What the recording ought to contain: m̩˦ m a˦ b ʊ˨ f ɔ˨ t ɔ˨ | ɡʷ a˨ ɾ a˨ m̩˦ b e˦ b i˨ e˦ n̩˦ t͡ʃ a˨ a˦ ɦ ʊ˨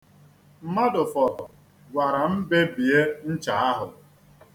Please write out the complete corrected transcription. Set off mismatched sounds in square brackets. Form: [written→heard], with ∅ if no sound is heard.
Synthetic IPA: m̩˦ m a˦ [b→d] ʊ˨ f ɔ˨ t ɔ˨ | ɡʷ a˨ ɾ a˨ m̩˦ b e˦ b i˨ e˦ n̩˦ t͡ʃ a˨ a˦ ɦ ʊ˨